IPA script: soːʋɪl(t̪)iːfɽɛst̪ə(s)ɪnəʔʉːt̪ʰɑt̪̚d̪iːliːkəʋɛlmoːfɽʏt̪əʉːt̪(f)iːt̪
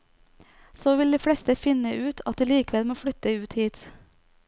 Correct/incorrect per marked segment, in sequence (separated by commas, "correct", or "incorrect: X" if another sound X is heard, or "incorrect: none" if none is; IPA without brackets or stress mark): incorrect: d̪, incorrect: f, incorrect: h